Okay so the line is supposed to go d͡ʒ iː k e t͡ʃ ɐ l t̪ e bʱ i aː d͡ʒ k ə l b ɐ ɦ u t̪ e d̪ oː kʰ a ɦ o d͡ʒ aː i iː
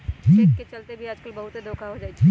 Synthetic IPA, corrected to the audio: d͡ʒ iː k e t͡ʃ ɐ l t̪ e bʱ i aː d͡ʒ k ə l b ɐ ɦ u t̪ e d̪ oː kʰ a ɦ o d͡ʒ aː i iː